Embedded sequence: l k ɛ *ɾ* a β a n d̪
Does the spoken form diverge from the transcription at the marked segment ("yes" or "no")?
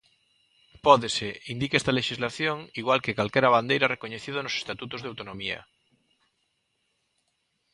no